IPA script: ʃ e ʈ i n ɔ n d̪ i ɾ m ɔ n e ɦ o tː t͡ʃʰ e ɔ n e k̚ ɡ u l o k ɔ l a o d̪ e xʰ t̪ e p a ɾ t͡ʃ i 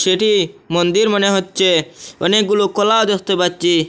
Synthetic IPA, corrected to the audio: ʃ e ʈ i m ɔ n d̪ i ɾ m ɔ n e ɦ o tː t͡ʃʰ e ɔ n e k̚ ɡ u l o k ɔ l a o d̪ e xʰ t̪ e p a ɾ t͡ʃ i